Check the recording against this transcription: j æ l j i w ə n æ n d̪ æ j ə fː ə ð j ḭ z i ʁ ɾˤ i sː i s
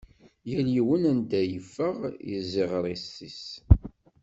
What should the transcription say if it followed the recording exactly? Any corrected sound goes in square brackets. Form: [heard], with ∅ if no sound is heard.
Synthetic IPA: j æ l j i w ə n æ n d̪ æ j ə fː ə [ʁ] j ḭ z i ʁ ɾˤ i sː i s